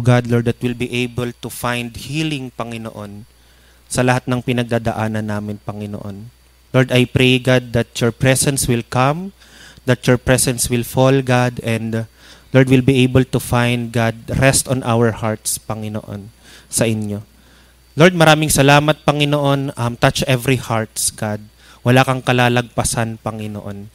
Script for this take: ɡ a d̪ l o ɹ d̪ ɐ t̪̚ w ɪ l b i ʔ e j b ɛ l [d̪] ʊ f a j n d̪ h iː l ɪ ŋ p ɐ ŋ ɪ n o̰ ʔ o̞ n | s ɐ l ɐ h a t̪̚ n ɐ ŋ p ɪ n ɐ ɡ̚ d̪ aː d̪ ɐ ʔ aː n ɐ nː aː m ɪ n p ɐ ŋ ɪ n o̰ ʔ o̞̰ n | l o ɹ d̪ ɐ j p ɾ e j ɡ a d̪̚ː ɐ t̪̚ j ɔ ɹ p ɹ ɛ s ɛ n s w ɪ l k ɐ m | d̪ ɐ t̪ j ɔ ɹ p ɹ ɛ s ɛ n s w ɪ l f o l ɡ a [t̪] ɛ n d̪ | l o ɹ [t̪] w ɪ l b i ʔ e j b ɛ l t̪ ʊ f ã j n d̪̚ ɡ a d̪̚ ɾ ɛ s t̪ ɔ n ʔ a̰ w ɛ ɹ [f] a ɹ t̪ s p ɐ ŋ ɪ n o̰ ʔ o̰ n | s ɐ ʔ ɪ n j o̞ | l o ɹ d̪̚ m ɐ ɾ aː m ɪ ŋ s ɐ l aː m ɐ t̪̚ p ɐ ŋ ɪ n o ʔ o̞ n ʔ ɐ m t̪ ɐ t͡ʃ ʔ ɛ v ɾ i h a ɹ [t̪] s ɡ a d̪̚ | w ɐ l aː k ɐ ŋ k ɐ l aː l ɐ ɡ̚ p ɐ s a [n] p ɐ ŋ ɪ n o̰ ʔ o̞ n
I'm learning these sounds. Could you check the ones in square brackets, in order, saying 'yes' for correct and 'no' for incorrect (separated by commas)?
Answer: no, no, no, no, yes, yes